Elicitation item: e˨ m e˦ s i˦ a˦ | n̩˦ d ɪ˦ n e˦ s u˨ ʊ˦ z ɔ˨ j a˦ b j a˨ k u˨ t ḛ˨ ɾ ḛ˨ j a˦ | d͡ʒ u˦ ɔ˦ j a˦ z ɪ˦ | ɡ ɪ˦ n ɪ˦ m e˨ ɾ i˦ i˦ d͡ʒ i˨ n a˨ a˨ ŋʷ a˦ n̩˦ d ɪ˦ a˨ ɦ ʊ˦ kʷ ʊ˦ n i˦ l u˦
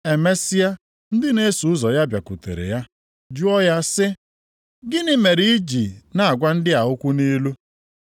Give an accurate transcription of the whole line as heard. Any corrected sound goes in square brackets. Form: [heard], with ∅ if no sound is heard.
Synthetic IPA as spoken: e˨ m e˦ s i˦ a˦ | n̩˦ d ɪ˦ n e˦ s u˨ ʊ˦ z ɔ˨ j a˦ b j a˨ k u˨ t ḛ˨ ɾ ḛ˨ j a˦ | d͡ʒ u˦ ɔ˦ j a˦ [s] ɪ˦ | ɡ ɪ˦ n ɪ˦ m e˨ ɾ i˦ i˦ d͡ʒ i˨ n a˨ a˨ [ɡʷ] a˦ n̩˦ d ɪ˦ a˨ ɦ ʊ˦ kʷ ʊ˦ n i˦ l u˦